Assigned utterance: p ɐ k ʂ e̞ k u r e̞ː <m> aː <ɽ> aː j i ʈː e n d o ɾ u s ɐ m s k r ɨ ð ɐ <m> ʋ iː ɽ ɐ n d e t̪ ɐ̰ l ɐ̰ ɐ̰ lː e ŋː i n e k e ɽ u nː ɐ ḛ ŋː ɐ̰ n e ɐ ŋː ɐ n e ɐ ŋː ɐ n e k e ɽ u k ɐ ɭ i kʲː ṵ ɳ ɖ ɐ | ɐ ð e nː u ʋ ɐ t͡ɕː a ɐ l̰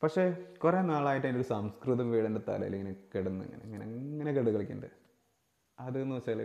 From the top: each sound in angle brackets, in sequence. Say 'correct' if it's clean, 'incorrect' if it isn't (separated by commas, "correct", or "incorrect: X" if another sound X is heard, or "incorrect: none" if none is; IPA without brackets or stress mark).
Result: incorrect: n, incorrect: ɭ, correct